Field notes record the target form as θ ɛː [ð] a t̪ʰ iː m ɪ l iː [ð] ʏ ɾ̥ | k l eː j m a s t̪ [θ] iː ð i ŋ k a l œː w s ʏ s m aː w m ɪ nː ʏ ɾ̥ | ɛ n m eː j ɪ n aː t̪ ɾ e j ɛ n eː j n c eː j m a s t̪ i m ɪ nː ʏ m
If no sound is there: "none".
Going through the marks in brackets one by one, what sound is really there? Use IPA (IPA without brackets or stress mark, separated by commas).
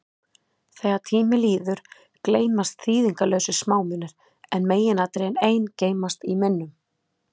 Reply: ɣ, ð, θ